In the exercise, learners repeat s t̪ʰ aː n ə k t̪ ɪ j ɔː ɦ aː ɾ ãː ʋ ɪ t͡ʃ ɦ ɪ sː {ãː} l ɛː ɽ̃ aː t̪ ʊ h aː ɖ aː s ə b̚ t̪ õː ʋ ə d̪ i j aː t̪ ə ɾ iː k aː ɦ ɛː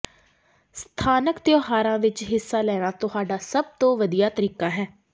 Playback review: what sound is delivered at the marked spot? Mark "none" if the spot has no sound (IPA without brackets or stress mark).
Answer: aː